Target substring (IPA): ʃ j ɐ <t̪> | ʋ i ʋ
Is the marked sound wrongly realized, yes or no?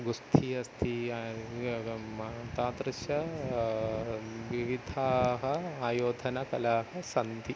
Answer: yes